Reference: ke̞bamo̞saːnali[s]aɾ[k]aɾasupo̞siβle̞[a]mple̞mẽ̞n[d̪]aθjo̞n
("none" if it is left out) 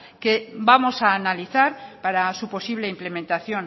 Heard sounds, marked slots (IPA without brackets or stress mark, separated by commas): θ, p, i, t̪